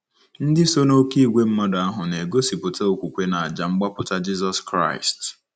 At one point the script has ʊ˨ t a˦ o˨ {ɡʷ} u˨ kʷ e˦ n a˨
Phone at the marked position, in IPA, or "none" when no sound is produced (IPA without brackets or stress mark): kʷ